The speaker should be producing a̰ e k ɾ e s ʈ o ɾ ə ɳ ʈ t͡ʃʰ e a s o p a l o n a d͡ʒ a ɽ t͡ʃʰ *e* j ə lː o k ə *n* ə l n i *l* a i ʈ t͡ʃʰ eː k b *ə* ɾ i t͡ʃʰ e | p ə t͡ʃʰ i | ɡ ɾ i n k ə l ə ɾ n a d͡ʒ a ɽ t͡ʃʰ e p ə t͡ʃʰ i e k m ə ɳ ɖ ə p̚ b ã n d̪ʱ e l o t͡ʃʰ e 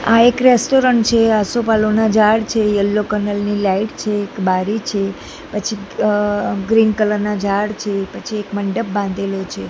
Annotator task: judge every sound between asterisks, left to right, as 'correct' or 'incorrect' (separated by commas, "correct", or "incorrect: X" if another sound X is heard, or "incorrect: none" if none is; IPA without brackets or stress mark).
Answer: correct, correct, correct, incorrect: a